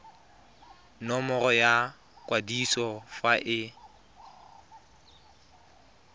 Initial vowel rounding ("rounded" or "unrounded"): rounded